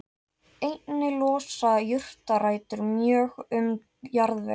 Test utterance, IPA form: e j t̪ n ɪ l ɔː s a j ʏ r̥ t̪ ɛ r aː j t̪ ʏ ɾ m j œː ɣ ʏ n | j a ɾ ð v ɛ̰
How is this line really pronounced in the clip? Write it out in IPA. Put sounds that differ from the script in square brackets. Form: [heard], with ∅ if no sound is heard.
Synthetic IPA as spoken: e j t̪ n ɪ l ɔː s a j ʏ r̥ t̪ [a] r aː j t̪ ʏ ɾ m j œː ɣ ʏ [m] | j a ɾ ð v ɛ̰